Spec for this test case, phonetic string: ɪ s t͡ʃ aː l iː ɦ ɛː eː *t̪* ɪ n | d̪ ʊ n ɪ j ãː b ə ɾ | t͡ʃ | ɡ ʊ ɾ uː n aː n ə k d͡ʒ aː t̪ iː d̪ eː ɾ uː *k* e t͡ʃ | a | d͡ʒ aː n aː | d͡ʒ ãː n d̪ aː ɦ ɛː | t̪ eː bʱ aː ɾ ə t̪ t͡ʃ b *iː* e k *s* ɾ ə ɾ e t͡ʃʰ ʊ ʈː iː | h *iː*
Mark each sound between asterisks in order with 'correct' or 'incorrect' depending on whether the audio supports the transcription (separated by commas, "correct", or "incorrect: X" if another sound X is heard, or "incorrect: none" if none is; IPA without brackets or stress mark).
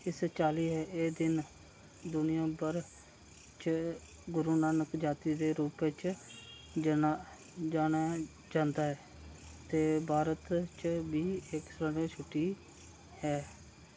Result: incorrect: d̪, incorrect: p, correct, correct, incorrect: ɛː